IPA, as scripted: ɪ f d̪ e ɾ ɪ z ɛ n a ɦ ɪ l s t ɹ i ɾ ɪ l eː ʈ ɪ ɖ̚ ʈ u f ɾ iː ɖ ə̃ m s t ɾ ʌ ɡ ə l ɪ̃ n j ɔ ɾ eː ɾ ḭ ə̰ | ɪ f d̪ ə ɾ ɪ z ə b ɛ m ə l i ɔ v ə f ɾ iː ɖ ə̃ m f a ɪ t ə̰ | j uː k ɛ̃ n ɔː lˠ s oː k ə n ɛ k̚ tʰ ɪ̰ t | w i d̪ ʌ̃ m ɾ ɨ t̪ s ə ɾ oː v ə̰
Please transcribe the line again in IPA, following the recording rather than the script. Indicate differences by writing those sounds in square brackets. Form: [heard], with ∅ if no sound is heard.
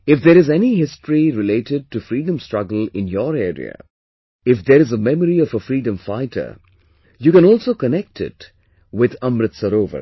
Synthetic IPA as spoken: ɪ f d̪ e ɾ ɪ z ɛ n [i] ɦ ɪ [∅] s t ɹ i ɾ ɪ l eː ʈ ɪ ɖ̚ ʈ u f ɾ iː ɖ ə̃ m s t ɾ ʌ ɡ ə l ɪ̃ n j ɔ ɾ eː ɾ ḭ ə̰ | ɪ f d̪ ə ɾ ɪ z ə [m] ɛ m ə [ɾ] i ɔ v ə f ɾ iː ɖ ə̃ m f a ɪ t ə̰ | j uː k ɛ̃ n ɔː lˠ s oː k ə n ɛ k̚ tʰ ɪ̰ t | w [ɪ] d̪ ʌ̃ m ɾ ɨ t̪ s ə ɾ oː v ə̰